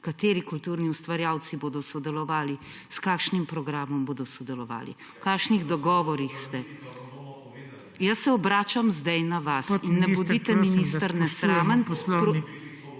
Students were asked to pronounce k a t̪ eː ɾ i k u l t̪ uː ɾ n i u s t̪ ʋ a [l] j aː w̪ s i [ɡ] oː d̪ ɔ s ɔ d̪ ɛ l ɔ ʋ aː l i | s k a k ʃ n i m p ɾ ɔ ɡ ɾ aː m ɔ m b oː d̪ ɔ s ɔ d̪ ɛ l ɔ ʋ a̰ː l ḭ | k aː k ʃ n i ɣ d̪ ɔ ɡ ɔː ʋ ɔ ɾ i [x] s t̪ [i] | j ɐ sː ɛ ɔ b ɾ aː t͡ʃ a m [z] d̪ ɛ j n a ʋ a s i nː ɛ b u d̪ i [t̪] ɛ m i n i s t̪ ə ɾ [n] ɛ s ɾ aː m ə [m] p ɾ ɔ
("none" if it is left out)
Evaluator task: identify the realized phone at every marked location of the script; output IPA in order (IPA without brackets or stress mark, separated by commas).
ɾ, b, x, ɛ, z, t̪, n, n